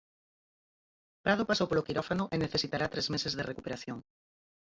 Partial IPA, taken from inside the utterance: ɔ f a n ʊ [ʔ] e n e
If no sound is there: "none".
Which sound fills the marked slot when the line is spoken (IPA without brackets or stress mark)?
ʔ